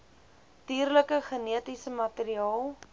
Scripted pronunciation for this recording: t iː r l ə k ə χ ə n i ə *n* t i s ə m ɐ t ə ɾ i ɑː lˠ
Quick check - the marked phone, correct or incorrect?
incorrect